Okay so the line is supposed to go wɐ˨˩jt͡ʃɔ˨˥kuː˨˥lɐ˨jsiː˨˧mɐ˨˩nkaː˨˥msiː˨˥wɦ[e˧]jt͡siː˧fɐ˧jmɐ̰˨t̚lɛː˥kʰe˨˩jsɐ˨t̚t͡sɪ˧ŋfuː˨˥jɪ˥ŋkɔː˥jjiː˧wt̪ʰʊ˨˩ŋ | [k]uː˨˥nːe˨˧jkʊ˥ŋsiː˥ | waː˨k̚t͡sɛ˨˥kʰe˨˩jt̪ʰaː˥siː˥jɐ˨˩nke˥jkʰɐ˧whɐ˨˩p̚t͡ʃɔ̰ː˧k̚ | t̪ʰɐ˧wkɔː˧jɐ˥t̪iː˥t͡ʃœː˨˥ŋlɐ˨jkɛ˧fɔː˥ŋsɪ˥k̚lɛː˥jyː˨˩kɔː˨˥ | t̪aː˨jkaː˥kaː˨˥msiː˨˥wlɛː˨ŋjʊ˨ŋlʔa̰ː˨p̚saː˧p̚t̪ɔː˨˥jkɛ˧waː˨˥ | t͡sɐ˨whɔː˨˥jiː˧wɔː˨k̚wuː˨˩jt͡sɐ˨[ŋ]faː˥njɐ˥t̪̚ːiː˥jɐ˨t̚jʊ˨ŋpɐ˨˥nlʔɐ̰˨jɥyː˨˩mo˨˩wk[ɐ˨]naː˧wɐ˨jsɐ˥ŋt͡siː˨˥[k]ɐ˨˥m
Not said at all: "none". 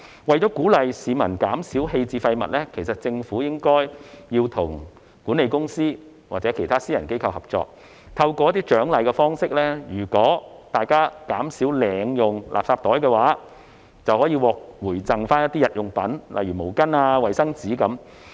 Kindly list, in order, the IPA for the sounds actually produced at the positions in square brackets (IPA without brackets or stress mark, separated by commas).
e˧, k, ŋ, ɐ˥, k